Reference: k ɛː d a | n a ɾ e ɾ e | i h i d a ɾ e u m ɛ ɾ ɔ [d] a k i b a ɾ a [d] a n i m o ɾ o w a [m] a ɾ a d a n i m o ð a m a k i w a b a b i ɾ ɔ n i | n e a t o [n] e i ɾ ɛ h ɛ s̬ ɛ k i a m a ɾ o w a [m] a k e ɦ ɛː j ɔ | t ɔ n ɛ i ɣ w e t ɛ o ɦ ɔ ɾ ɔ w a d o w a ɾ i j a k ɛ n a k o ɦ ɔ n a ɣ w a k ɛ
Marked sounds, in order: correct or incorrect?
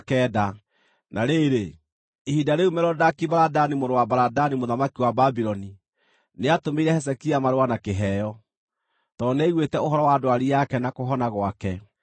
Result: correct, correct, incorrect: b, incorrect: m, incorrect: n

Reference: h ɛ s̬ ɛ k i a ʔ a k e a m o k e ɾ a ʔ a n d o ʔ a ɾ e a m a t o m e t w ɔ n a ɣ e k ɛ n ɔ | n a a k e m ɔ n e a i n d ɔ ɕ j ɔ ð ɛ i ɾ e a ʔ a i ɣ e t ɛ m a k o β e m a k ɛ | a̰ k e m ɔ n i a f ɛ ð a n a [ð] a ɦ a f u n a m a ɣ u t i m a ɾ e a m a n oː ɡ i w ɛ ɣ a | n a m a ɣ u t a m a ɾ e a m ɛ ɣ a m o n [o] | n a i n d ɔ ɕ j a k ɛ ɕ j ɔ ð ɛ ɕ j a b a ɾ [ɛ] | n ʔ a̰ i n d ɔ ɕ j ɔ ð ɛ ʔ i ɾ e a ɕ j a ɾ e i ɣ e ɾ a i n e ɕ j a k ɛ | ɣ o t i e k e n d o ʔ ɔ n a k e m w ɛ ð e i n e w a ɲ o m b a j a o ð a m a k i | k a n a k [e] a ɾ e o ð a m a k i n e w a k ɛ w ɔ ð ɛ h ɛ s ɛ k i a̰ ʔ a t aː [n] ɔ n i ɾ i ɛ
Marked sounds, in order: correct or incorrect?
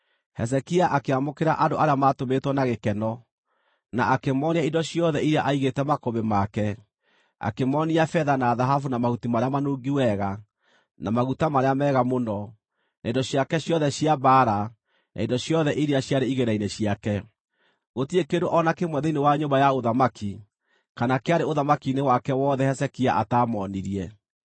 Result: correct, incorrect: ɔ, incorrect: a, correct, incorrect: m

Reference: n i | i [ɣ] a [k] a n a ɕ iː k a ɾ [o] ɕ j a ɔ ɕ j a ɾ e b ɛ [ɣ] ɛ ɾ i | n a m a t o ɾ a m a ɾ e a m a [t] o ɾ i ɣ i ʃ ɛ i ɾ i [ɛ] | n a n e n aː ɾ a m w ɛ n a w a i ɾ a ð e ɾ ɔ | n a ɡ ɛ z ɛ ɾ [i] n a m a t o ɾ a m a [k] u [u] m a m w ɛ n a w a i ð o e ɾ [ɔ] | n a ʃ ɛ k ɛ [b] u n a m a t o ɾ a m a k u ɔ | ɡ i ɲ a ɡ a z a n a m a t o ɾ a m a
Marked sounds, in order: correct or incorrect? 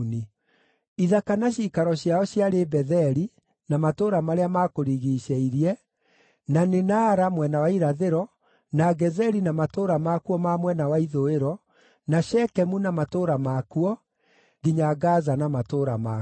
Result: incorrect: ð, correct, incorrect: ɔ, incorrect: ð, incorrect: k, correct, correct, correct, incorrect: ɔ, correct, incorrect: m

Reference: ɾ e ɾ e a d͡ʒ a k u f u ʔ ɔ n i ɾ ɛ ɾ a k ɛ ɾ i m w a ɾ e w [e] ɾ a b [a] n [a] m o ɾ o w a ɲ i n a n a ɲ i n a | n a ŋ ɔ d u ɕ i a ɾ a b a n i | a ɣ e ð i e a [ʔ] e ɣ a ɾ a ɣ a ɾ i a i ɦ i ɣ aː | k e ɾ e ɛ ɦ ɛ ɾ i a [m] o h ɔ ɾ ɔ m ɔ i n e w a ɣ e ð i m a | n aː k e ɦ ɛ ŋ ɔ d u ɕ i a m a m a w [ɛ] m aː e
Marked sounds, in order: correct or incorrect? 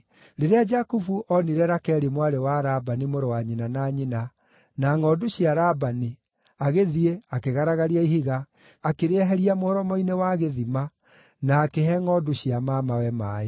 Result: incorrect: a, correct, incorrect: i, incorrect: k, correct, correct

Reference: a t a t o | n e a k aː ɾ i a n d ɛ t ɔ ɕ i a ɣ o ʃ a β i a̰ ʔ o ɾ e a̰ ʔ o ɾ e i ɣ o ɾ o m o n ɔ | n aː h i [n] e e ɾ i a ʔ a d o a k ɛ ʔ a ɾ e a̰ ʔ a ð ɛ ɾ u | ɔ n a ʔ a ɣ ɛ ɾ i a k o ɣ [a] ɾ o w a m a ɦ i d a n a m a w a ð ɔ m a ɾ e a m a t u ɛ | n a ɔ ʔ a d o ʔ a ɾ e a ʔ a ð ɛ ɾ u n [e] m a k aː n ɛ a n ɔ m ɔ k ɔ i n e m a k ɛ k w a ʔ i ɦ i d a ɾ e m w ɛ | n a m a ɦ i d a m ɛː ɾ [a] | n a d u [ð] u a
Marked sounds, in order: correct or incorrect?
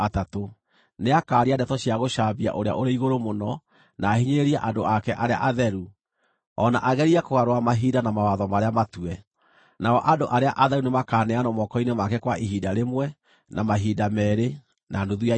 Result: incorrect: ɲ, correct, correct, incorrect: e, correct

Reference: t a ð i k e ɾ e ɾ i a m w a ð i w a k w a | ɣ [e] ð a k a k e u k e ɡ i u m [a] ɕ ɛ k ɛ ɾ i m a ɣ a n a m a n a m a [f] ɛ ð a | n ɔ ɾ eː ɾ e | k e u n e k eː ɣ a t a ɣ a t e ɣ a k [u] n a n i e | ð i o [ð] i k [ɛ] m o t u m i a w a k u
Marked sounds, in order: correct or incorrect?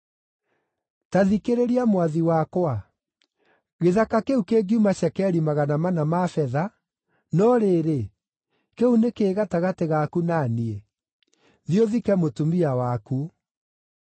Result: correct, correct, correct, correct, correct, correct

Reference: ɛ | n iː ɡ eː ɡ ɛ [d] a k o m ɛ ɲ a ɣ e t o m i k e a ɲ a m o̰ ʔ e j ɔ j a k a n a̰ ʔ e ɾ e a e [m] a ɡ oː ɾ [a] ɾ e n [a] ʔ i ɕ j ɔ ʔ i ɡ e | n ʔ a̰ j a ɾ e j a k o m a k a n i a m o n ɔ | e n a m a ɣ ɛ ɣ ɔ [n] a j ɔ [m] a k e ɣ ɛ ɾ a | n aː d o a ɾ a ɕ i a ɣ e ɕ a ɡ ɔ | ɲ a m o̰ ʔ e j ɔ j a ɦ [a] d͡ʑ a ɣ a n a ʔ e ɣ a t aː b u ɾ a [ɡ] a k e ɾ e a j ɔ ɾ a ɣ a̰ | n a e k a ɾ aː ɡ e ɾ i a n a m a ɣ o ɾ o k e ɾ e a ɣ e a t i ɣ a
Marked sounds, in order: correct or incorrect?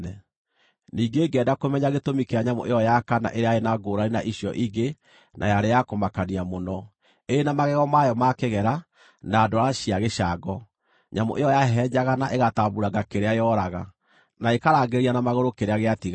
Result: correct, incorrect: n, correct, correct, incorrect: m, correct, incorrect: ɛ, correct

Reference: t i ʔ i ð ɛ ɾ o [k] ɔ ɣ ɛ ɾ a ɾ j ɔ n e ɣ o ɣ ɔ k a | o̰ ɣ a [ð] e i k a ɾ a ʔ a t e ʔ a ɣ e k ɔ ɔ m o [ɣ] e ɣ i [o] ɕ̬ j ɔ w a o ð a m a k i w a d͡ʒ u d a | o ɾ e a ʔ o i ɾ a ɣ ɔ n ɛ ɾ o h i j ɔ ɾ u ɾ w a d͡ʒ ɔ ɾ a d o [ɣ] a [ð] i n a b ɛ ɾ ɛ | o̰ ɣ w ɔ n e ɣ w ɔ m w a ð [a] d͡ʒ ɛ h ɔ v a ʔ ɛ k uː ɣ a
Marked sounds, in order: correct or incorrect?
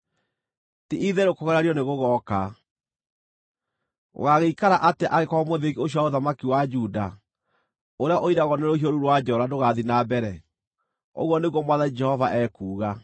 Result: correct, incorrect: ɣ, incorrect: ð, correct, correct, correct, correct

